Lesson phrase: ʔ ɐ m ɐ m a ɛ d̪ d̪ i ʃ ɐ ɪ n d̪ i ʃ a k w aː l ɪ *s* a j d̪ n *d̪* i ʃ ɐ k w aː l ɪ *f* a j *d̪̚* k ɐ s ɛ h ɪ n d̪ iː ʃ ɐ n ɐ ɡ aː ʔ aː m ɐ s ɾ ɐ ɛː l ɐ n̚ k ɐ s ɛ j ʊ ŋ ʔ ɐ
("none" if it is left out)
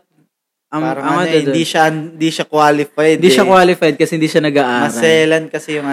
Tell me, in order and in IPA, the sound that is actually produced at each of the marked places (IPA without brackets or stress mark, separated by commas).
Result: f, d̪, f, d̪̚